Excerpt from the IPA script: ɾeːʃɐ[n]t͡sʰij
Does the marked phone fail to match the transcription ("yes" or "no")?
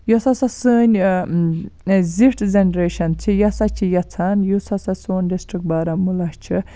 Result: no